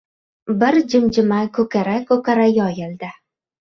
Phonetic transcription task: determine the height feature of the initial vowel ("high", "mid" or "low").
high